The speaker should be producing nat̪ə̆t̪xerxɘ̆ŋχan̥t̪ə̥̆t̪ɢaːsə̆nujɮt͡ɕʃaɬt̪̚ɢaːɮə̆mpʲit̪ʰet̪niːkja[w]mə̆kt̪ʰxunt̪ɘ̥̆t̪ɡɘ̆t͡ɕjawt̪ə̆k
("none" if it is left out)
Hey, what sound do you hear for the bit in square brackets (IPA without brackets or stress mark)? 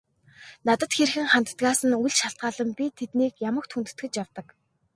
none